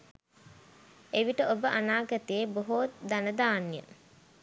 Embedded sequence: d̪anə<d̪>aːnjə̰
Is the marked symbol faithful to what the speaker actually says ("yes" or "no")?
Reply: yes